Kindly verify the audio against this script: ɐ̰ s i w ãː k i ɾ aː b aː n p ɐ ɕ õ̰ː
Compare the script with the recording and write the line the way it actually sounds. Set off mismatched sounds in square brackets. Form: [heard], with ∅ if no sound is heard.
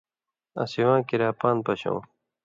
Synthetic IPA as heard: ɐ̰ s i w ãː k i ɾ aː [p] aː n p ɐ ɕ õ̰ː